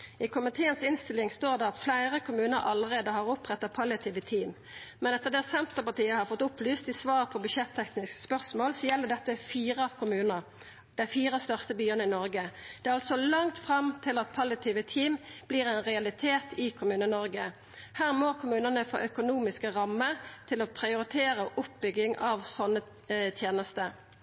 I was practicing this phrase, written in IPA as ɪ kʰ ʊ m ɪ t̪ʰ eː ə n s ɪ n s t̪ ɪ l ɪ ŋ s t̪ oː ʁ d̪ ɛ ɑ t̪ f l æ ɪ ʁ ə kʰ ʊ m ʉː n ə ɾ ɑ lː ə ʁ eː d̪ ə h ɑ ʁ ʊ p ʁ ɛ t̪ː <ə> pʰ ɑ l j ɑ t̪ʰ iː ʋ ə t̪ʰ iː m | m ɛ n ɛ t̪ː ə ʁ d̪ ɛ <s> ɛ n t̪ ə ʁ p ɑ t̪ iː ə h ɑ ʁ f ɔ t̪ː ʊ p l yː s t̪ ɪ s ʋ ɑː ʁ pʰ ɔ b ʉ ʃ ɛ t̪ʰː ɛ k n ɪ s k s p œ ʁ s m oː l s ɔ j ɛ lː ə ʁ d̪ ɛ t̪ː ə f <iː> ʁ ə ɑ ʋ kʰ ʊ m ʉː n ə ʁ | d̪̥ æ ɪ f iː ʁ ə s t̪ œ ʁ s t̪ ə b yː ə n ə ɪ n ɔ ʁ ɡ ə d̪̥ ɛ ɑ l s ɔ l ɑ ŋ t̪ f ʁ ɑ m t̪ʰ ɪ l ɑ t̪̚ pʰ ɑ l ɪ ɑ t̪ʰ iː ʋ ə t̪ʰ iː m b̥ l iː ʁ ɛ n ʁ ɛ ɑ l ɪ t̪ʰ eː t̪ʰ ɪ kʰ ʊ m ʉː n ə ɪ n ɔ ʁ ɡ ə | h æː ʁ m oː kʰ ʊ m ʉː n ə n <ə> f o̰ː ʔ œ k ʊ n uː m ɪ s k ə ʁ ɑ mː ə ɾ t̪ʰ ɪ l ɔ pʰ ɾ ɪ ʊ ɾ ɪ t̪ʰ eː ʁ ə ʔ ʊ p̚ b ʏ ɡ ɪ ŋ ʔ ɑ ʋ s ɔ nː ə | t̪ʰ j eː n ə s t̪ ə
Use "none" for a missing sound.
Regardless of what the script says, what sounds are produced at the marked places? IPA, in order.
ɑ, s, iː, ə

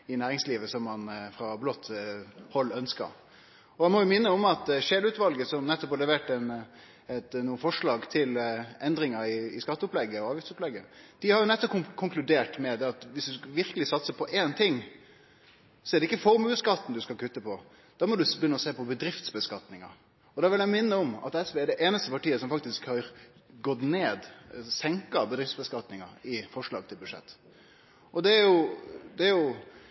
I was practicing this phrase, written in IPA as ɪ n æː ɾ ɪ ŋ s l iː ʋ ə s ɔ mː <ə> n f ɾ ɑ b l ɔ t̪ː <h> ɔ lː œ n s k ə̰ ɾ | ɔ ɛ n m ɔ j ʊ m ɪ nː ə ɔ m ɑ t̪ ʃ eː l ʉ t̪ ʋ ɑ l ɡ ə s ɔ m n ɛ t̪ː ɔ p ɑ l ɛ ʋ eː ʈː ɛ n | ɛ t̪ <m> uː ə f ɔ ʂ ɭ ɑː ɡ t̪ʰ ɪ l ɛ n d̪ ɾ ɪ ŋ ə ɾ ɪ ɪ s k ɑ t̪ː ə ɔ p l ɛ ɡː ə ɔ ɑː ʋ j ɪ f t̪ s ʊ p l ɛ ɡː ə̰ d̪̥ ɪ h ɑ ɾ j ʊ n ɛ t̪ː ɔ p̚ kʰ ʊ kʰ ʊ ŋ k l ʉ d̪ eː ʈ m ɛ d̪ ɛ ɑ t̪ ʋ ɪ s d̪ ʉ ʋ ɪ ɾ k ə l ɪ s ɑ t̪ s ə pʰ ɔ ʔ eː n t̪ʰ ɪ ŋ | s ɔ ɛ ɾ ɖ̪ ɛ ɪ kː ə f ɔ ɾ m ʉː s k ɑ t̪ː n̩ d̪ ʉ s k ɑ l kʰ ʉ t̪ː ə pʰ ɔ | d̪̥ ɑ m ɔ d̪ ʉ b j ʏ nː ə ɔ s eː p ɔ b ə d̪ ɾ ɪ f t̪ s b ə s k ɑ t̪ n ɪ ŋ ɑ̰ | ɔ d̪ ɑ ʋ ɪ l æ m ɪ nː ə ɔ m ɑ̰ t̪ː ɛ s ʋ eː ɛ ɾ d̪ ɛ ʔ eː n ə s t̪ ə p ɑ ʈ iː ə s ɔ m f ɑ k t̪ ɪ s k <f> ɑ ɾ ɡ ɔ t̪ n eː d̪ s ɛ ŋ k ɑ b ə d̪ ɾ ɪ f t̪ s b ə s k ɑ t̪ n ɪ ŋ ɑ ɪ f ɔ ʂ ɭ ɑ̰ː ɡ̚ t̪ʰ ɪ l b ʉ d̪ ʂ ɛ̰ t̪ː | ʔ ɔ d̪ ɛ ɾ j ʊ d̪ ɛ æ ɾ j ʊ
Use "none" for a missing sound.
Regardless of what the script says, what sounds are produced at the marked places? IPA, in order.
ɑ, h, n, h

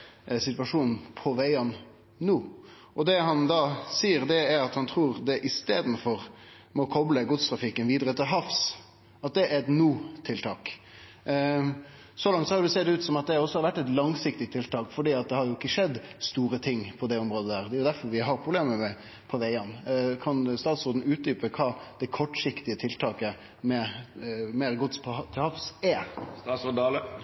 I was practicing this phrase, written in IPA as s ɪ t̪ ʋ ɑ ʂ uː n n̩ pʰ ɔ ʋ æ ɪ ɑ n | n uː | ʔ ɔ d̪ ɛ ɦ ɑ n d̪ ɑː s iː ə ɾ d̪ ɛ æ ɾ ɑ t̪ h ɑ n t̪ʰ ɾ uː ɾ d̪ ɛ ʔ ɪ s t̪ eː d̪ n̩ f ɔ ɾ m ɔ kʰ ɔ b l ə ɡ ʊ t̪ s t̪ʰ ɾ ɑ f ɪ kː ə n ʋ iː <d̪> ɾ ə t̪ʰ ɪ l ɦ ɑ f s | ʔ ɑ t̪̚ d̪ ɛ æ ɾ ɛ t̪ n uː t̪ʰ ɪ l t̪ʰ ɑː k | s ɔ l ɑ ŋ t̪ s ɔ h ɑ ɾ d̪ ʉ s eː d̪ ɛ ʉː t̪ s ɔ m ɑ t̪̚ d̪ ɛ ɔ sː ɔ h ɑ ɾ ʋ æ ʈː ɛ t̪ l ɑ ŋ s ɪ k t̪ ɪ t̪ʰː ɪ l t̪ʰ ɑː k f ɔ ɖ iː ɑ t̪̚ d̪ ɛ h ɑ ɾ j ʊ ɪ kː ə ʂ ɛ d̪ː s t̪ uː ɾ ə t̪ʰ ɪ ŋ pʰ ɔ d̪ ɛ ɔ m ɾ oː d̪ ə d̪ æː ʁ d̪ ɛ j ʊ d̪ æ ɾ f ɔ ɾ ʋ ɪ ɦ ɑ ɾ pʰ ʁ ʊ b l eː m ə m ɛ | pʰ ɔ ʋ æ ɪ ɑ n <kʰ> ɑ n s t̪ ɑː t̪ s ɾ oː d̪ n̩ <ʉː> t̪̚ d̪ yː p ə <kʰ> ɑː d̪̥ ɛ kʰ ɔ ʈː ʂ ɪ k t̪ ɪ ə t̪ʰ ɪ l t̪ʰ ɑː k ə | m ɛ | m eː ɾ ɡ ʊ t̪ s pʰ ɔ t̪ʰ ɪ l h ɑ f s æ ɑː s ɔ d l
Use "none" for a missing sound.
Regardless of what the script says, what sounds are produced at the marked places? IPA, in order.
d̪, kʰ, ʉː, kʰ

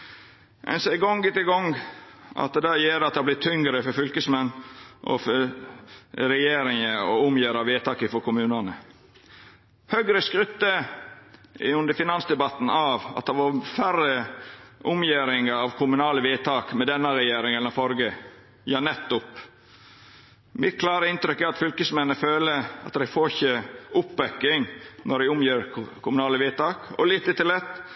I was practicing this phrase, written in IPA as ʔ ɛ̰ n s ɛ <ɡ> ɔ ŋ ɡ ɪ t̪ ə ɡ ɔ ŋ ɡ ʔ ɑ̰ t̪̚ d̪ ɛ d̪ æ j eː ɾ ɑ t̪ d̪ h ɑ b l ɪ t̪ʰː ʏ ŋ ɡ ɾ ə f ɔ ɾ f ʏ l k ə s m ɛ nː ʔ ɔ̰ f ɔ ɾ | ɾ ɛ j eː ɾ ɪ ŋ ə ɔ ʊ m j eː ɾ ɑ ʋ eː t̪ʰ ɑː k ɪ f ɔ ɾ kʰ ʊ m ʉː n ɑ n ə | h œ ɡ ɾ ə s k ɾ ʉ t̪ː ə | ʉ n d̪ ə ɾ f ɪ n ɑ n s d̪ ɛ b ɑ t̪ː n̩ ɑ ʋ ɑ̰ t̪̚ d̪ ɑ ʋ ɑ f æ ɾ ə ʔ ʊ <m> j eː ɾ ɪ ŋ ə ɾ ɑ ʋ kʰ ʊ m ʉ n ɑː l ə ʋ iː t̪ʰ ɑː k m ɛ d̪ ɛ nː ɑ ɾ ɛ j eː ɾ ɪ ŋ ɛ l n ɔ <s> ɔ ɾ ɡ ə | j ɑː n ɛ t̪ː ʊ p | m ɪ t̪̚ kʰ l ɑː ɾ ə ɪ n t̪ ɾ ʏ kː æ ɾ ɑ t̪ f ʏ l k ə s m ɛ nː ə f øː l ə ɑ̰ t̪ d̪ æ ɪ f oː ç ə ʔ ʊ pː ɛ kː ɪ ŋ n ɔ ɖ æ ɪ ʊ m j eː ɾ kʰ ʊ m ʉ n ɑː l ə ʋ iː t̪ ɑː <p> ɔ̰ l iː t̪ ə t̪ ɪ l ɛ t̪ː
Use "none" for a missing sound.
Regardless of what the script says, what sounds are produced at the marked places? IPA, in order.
ɡ, m, f, k

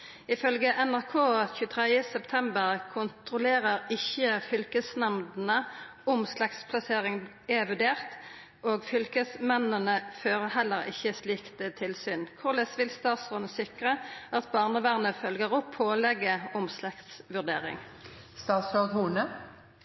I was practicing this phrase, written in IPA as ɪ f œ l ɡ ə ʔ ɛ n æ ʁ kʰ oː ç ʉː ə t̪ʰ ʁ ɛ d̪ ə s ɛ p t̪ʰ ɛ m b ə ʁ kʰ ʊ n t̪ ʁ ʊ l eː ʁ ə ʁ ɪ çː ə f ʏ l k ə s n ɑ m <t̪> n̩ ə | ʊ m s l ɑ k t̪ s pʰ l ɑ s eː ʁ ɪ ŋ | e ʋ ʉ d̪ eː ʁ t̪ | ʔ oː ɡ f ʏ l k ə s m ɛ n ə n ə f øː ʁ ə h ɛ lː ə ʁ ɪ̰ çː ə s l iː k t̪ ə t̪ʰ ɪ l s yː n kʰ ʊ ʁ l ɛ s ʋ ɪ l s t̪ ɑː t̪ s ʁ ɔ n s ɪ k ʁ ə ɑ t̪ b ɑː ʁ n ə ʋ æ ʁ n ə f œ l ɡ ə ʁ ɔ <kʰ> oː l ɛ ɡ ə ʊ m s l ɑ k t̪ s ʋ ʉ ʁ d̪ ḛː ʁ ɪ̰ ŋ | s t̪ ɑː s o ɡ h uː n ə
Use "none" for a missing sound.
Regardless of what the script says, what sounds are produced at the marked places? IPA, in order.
d̪, pʰ

